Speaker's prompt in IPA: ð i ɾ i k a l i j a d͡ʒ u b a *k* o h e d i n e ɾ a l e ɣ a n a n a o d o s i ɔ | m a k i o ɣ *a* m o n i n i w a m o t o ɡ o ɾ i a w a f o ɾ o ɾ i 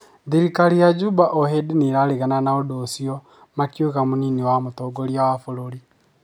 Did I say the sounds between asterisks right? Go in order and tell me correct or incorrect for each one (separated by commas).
incorrect, correct